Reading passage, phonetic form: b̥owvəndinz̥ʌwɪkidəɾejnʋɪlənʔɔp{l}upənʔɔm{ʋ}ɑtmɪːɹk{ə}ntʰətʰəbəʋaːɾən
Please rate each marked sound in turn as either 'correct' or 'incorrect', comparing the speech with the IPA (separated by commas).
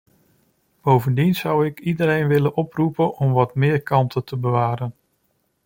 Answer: incorrect, correct, incorrect